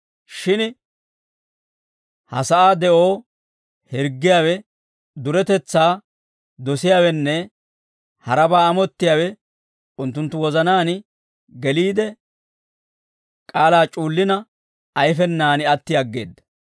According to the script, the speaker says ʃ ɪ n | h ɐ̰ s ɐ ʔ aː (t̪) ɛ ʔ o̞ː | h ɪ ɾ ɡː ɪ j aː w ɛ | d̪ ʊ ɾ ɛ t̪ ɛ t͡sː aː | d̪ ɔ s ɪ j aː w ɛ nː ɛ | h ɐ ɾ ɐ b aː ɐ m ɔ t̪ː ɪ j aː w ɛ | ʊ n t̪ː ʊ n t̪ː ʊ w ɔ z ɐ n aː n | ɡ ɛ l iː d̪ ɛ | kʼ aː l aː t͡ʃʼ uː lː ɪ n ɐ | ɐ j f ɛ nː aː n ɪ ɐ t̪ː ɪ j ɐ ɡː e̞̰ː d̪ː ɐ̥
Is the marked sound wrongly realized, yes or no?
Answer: yes